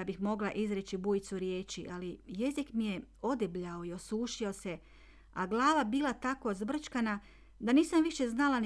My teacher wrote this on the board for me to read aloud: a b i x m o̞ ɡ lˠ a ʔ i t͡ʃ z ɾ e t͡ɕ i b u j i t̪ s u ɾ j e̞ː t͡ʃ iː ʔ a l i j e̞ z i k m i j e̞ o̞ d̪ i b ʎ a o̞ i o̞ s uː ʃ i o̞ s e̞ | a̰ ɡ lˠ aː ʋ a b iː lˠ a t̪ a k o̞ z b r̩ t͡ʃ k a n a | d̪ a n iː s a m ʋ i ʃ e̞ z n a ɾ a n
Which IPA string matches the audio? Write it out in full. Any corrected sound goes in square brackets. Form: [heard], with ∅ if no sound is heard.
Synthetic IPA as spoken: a b i x m o̞ ɡ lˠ a ʔ i [∅] z ɾ e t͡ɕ i b u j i t̪ s u ɾ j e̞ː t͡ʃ [i] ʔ a l i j e̞ z i k m i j e̞ o̞ d̪ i b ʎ a o̞ i o̞ s uː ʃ i o̞ s e̞ | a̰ ɡ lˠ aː ʋ a b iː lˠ a t̪ a k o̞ z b r̩ t͡ʃ k a n a | d̪ a n iː s a m ʋ i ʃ e̞ z n a [l] a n